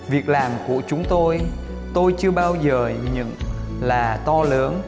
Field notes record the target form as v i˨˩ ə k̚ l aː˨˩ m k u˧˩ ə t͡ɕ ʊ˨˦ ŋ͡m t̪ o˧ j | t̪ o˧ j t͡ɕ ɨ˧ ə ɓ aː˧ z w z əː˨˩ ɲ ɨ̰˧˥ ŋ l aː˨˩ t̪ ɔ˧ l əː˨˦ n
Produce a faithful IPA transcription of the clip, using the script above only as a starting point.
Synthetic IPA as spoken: v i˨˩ ə k̚ l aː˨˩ m k u˧˩ ə t͡ɕ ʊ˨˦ ŋ͡m t̪ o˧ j | t̪ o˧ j t͡ɕ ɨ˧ ə ɓ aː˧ w z əː˨˩ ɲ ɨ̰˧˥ ŋ l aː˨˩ t̪ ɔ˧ l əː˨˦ n